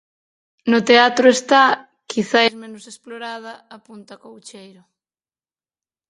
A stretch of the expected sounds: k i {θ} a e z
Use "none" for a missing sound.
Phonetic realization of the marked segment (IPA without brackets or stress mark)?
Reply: θ